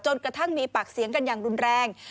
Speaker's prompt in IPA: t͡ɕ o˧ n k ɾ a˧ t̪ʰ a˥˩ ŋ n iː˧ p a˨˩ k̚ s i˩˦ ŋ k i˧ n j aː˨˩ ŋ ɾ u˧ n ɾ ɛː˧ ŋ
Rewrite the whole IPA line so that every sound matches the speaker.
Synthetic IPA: t͡ɕ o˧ n k ɾ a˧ t̪ʰ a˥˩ ŋ m iː˧ p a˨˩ k̚ s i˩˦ ŋ k a˧ n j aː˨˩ ŋ ɾ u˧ n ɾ ɛː˧ ŋ